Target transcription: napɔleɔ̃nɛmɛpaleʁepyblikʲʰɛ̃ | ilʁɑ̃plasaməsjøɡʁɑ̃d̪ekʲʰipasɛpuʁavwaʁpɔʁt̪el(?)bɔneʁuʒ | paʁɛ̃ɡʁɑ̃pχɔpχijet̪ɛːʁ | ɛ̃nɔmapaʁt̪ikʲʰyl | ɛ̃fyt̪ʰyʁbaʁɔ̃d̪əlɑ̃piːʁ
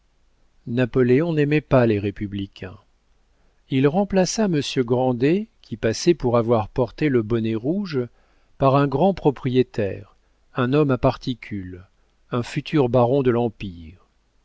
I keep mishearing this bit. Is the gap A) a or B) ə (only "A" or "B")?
B